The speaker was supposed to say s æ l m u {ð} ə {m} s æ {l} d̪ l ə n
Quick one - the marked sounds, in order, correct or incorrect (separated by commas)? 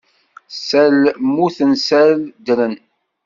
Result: incorrect, incorrect, correct